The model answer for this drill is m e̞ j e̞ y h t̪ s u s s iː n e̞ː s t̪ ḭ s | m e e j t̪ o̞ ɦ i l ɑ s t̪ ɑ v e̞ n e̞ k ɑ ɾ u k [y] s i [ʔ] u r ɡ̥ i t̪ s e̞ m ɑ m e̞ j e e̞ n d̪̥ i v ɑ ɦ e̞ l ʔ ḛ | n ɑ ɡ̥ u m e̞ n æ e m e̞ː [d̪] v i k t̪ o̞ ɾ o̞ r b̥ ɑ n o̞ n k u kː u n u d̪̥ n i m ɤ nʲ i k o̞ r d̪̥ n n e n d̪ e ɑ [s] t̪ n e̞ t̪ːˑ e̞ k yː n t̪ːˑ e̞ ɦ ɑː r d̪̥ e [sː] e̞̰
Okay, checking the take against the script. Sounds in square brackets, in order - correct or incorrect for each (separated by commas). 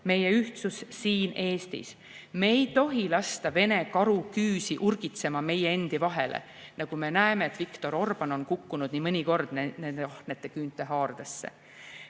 incorrect, correct, incorrect, incorrect, correct